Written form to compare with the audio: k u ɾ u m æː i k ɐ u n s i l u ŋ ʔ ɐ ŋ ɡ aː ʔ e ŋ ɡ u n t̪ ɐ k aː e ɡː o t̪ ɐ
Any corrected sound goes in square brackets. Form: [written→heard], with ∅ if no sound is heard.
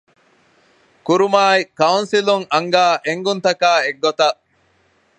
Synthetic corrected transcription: k u ɾ u m [æː→aː] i k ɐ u n s i l u ŋ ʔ ɐ ŋ ɡ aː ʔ e ŋ ɡ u n t̪ ɐ k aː e ɡː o t̪ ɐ

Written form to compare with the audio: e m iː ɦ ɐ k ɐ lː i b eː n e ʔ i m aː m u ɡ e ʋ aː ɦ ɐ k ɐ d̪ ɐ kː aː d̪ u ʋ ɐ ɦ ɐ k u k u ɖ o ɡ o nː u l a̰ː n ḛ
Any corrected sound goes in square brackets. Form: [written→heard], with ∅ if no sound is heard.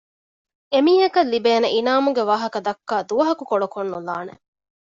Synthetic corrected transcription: e m iː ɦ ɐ k ɐ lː i b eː n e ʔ i [m→n] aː m u ɡ e ʋ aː ɦ ɐ k ɐ d̪ ɐ kː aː d̪ u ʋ ɐ ɦ ɐ k u k [u→o] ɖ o [ɡ→k] o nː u l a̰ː n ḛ

